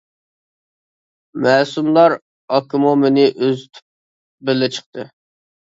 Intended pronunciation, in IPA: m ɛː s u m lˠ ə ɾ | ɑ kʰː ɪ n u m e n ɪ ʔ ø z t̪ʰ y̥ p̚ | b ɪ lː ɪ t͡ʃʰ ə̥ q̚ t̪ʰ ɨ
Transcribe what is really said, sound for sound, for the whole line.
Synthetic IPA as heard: m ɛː s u m lˠ ɑ ɾ | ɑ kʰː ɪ m u m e n ɪ ʔ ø z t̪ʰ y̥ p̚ | b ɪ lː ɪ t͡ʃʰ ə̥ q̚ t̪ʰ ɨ